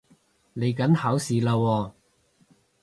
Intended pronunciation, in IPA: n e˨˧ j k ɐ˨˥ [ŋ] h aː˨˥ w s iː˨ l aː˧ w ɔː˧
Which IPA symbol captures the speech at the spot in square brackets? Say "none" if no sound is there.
n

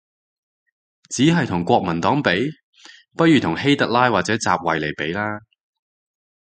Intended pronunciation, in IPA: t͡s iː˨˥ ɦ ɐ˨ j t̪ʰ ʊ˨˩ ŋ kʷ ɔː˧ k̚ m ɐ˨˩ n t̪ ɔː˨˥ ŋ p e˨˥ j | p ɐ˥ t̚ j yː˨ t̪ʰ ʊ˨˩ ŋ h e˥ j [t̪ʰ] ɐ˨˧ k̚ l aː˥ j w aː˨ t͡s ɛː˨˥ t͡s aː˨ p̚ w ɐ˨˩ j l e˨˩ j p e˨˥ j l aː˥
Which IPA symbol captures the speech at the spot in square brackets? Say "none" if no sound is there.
t̪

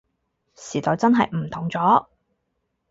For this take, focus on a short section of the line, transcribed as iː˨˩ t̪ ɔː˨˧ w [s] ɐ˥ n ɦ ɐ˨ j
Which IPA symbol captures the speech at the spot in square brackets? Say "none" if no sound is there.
t͡s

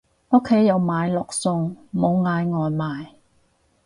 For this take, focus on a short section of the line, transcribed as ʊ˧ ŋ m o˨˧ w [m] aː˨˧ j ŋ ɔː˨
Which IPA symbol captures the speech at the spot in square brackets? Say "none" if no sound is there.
ŋ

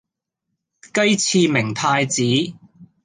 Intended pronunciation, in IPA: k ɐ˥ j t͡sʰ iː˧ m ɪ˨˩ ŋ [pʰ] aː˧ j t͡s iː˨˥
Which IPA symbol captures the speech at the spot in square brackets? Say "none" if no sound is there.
pʰ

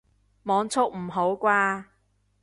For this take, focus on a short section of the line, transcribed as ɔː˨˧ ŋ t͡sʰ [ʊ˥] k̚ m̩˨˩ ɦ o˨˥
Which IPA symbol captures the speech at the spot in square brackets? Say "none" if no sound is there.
ʊ˥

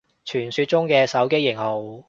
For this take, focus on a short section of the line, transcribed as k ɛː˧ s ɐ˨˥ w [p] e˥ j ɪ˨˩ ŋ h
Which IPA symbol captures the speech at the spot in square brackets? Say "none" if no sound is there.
k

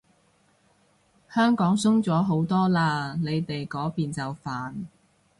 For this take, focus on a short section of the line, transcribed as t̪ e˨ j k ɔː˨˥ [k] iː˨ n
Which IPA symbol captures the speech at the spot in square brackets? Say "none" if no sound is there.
p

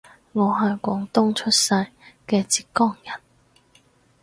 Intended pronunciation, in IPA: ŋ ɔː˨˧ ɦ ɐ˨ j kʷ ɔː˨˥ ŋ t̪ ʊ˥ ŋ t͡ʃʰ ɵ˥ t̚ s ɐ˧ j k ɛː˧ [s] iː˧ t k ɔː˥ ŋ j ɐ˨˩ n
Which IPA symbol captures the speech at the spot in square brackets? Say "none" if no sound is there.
t͡s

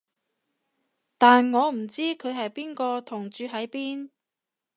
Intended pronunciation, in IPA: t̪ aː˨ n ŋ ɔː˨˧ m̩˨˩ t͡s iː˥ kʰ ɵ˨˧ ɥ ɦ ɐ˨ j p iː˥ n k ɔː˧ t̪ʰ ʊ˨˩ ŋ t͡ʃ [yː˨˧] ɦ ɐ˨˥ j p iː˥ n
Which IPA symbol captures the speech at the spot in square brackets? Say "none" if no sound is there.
yː˨˧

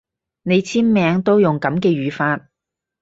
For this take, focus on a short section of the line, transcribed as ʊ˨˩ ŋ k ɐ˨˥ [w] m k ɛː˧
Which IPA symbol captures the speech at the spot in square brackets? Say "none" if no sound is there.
none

